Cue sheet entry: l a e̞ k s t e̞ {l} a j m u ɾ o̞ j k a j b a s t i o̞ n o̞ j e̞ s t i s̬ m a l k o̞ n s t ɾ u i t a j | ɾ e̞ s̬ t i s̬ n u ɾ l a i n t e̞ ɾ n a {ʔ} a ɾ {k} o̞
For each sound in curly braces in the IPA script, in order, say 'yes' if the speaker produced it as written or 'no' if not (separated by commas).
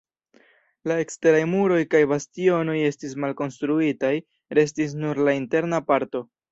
no, no, no